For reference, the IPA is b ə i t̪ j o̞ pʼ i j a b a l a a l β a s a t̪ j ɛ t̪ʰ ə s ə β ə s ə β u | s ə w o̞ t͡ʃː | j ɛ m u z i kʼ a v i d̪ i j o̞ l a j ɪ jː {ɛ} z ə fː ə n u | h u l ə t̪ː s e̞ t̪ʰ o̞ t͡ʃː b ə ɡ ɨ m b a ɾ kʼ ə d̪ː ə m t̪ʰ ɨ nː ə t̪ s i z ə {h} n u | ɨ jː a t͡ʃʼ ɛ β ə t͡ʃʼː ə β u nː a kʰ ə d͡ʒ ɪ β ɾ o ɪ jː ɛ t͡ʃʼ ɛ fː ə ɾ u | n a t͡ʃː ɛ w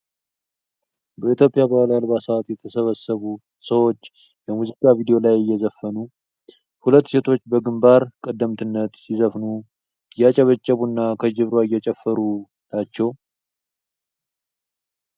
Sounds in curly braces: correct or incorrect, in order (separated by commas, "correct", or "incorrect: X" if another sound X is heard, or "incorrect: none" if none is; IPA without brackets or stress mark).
correct, incorrect: f